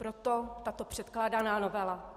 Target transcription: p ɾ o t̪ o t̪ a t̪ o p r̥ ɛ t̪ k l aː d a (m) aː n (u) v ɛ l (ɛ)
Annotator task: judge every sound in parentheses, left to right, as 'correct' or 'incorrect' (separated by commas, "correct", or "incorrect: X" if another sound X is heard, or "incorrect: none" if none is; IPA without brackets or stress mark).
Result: incorrect: n, incorrect: o, incorrect: a